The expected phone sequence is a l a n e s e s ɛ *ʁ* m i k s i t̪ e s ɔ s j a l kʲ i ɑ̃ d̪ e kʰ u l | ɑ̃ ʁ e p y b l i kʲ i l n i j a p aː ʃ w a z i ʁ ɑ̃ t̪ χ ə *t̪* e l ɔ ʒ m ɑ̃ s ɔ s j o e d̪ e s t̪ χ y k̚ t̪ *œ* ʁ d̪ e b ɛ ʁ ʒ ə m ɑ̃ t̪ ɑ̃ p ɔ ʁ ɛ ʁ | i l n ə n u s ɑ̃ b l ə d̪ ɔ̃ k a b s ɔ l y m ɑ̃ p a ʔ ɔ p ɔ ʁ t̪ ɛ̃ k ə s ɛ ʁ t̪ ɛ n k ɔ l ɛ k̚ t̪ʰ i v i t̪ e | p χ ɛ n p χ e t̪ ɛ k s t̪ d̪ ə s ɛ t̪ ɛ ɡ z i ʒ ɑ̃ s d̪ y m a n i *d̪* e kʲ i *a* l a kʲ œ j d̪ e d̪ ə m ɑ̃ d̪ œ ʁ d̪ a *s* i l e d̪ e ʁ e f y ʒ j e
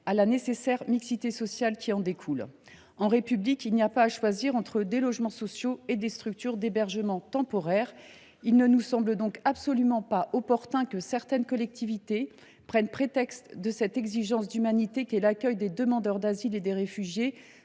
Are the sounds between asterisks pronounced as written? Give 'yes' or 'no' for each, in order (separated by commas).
yes, no, no, no, no, no